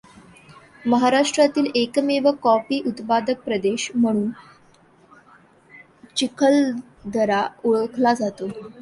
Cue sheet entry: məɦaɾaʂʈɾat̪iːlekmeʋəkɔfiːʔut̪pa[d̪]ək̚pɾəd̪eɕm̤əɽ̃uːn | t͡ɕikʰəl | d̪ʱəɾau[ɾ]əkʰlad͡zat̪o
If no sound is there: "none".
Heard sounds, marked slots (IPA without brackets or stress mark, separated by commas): d̪, ɭ